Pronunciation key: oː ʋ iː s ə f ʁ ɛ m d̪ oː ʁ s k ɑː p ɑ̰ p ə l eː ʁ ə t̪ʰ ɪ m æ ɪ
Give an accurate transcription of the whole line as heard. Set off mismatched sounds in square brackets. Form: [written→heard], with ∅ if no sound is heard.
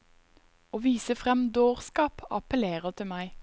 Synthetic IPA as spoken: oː ʋ iː s ə f ʁ ɛ m d̪ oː ʁ s k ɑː p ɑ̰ p ə l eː ʁ ə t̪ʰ ɪ m æ ɪ